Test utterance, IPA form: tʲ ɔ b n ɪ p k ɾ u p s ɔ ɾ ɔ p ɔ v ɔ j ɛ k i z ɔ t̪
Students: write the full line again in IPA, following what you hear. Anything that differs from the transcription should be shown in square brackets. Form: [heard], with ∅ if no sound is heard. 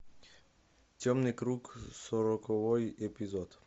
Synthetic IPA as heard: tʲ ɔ [m] n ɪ [∅] k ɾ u [k] s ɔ ɾ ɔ [k] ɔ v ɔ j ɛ [p] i z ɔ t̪